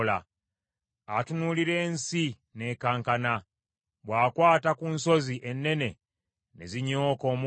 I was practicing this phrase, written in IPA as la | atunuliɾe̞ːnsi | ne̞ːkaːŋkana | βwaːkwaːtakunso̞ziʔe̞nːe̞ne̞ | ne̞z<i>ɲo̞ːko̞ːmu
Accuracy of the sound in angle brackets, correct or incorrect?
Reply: correct